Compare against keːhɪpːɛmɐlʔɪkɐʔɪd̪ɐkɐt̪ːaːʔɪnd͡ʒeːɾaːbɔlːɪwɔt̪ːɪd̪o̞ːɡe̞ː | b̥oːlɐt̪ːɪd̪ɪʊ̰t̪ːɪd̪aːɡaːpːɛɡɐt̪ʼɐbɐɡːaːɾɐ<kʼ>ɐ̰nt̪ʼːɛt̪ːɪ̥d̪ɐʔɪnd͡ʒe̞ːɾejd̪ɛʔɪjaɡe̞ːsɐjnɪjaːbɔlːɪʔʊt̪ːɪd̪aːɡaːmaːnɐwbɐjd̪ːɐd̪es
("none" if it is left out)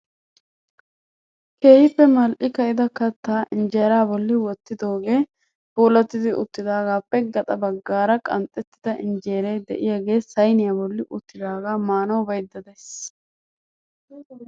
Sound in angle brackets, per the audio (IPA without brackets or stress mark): kʼ